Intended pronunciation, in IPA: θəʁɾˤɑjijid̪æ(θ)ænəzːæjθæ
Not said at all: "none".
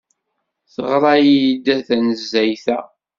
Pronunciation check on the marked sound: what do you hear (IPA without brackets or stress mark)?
θ